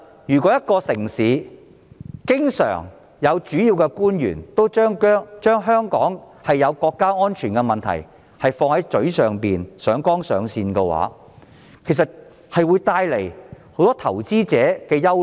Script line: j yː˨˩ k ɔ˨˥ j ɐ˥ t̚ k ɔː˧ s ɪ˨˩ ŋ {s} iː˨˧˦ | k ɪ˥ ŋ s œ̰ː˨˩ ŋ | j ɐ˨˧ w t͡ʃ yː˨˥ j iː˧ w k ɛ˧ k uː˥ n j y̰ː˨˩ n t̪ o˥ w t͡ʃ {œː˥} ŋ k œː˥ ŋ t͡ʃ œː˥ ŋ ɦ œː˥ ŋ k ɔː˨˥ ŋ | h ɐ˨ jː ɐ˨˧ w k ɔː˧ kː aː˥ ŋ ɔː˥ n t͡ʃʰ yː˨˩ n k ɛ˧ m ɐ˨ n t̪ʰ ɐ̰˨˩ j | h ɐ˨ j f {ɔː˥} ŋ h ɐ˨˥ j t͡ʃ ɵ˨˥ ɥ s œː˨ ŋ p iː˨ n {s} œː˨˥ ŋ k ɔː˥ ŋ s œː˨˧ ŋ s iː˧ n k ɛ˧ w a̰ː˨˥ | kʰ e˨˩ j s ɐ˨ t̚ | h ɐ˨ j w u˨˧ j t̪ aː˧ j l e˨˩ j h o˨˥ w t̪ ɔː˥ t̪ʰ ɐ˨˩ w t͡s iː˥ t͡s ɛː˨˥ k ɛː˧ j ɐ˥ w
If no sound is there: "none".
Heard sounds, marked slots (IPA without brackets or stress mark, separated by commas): s, œː˥, ɔː˧, s